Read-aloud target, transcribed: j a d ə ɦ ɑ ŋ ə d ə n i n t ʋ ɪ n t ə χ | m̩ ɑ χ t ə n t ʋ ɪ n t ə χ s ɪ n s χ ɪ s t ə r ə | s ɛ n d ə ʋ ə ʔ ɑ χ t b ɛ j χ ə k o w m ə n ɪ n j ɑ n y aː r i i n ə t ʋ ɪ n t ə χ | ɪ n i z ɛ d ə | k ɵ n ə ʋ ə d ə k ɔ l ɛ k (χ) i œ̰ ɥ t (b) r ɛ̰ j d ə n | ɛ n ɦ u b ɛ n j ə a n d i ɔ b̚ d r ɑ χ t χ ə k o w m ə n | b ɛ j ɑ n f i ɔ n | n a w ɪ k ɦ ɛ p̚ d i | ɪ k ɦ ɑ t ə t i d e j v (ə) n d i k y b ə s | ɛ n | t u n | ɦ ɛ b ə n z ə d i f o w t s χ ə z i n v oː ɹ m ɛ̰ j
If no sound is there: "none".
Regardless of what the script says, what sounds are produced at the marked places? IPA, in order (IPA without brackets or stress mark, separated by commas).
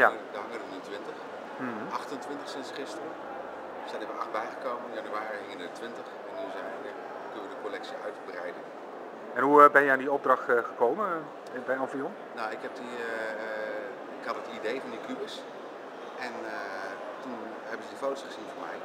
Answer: s, b, ɑ